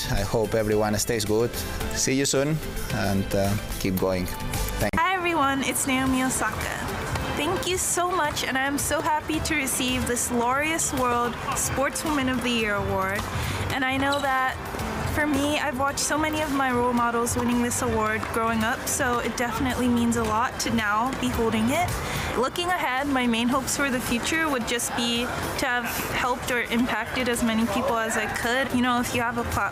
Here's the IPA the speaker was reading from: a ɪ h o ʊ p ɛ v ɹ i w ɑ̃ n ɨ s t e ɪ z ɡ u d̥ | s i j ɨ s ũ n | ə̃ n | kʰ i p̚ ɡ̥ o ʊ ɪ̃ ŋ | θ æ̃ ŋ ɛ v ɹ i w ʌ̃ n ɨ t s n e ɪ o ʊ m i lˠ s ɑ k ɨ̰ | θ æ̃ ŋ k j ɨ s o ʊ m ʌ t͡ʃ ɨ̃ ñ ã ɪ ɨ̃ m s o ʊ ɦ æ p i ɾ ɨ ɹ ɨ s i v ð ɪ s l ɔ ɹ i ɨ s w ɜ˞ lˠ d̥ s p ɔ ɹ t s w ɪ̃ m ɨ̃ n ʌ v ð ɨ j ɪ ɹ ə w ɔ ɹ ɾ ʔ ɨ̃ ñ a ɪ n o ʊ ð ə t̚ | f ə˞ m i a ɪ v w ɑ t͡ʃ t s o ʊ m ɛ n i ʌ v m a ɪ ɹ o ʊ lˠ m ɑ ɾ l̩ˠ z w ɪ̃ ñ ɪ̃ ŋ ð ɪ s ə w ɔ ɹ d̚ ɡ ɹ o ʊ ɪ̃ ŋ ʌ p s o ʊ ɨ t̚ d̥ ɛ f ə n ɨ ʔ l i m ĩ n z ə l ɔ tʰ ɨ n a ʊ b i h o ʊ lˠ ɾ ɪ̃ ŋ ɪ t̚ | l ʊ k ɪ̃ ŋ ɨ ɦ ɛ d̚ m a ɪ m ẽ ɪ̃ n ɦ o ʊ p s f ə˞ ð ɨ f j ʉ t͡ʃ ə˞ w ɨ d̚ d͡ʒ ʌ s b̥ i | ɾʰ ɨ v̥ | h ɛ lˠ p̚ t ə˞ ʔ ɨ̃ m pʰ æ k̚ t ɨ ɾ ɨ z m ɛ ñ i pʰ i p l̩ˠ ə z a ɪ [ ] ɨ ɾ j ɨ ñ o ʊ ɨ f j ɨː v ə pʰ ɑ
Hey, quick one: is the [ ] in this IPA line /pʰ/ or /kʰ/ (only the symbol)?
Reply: kʰ